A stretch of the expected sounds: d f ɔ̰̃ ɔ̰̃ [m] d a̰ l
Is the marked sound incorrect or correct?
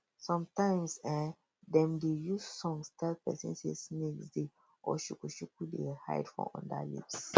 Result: incorrect